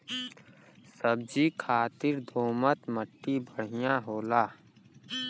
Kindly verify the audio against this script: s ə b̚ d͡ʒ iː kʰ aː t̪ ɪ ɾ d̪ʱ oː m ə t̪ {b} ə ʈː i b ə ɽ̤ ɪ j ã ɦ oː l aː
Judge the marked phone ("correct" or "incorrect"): incorrect